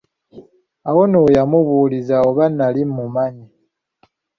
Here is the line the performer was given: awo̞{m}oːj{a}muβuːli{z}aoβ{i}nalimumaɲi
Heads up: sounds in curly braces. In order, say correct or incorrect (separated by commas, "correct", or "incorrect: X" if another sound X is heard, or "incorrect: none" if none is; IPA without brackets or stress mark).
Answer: incorrect: n, correct, correct, incorrect: a